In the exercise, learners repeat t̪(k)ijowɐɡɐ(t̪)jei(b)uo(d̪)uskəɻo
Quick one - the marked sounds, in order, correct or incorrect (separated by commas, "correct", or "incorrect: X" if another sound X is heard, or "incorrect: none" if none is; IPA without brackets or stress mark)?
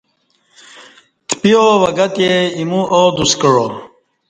incorrect: p, correct, incorrect: m, correct